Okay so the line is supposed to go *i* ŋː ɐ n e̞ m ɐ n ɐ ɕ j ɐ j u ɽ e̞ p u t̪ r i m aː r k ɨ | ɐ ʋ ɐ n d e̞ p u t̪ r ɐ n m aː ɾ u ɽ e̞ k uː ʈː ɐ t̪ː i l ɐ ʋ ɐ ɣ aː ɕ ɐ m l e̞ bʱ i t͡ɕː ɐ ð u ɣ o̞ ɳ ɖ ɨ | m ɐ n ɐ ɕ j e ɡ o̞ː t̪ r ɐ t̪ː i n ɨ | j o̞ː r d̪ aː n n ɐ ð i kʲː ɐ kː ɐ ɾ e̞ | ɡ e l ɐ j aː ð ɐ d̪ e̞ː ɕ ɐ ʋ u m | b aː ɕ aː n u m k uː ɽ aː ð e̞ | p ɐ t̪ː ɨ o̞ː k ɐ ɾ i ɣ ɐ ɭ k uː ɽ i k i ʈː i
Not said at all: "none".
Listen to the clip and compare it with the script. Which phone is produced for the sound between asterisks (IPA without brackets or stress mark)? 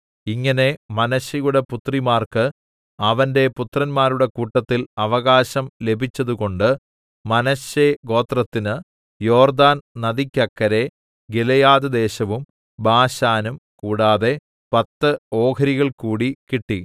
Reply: i